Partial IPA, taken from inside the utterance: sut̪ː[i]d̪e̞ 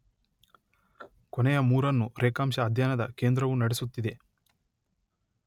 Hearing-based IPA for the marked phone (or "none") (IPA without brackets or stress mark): i